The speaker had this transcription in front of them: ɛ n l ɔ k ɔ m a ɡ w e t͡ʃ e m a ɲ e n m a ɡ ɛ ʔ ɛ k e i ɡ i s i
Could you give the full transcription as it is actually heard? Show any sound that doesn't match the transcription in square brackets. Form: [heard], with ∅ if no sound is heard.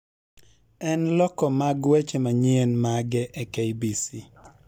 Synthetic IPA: ɛ n l ɔ k ɔ m a ɡ w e t͡ʃ e m a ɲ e n m a ɡ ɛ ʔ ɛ k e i [b] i s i